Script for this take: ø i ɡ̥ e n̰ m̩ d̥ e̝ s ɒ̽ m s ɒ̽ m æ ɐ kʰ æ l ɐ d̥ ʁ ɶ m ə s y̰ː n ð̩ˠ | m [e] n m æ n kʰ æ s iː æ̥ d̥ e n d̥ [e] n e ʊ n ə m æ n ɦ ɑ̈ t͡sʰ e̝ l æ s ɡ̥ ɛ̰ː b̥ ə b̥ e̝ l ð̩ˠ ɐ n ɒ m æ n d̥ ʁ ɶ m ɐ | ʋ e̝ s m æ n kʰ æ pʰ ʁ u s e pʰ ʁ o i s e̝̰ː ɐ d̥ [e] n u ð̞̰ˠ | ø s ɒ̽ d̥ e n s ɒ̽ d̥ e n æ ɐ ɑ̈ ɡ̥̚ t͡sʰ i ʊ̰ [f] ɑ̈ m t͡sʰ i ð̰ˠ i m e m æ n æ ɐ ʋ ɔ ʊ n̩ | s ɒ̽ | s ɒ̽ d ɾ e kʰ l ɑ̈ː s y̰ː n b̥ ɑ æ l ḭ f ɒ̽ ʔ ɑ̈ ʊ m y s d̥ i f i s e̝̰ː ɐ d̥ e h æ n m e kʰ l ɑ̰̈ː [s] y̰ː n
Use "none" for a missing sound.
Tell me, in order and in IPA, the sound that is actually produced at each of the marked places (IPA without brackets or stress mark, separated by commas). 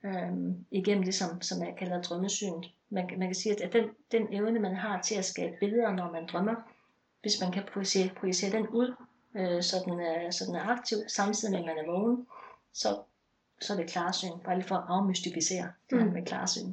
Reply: æ, e, e, s, s